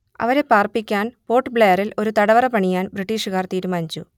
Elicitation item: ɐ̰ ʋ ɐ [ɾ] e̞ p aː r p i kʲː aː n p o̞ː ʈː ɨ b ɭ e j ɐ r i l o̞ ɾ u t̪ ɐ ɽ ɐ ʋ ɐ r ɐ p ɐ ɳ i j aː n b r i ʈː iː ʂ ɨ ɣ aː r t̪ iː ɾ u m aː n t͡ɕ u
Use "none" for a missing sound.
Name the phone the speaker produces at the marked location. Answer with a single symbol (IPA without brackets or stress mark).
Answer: ɾ